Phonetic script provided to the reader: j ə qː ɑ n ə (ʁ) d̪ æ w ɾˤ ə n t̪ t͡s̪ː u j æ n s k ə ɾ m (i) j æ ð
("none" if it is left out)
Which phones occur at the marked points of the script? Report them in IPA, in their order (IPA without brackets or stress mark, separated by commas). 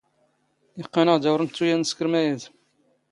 ʁ, æ